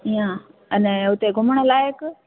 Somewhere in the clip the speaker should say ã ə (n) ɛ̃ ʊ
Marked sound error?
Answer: no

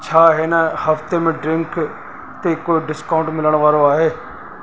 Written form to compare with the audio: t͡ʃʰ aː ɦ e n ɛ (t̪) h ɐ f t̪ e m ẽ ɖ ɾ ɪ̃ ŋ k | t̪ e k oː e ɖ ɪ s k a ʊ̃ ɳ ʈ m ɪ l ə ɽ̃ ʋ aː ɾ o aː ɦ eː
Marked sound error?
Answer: yes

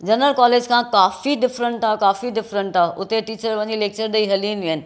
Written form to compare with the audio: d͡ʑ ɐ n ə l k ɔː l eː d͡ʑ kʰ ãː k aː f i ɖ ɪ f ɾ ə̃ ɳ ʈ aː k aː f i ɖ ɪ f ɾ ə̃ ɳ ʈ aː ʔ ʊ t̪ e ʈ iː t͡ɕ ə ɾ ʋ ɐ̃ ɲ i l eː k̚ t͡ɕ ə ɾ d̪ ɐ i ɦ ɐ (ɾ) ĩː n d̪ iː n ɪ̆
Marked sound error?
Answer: yes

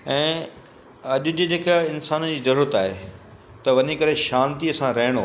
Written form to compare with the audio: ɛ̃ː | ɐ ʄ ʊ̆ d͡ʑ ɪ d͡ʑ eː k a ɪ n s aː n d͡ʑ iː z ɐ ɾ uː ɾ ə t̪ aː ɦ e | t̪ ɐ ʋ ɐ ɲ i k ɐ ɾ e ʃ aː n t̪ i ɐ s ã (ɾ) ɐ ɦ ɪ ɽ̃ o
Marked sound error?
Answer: no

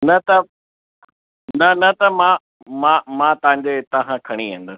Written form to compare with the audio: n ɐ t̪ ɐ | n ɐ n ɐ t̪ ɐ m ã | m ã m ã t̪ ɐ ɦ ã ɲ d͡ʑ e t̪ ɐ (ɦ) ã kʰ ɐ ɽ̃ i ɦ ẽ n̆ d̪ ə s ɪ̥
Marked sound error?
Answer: no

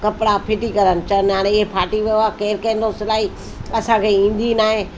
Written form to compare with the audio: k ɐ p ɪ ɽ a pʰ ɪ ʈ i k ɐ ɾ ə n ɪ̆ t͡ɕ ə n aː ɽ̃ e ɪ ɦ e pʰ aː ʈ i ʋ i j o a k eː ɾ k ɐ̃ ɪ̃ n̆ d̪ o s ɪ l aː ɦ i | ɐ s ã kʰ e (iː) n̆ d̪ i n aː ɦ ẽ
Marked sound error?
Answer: yes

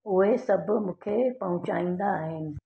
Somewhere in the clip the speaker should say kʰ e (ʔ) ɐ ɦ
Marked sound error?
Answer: yes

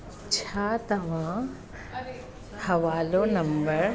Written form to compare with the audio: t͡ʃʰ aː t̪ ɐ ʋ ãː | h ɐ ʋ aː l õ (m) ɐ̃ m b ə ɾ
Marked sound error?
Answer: yes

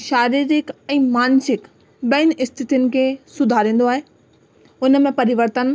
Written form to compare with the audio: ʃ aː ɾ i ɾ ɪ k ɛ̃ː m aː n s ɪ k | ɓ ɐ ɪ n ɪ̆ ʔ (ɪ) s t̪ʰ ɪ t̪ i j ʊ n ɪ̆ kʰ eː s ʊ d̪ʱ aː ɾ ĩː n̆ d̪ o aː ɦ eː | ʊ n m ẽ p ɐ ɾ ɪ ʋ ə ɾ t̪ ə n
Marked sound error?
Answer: no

